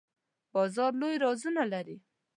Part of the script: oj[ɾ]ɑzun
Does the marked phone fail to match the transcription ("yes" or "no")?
no